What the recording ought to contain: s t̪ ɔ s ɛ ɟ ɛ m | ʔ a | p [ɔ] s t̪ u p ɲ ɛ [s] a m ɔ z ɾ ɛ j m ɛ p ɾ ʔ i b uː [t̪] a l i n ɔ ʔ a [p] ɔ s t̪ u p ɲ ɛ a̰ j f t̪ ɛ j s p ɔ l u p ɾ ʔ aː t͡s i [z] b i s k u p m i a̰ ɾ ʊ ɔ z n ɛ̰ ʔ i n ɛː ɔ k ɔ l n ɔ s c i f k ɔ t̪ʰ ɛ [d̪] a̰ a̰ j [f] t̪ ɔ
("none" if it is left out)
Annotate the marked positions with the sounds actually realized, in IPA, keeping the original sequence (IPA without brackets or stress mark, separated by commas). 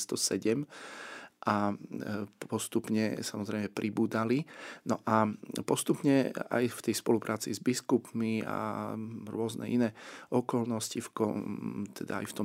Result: ɔ, s, d̪, p, z, d̪, f